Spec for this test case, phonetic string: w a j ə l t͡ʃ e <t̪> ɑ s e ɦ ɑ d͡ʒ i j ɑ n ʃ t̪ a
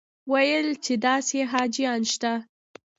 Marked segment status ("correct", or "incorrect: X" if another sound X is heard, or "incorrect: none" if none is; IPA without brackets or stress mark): incorrect: d̪